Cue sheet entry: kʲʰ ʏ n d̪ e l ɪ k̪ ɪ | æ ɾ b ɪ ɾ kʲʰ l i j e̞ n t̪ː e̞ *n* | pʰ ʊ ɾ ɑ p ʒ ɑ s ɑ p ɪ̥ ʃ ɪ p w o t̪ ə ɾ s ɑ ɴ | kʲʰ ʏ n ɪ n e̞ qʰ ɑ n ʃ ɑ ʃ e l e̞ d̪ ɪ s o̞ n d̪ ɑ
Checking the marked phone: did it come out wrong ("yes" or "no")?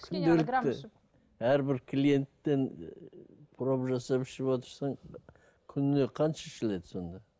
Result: no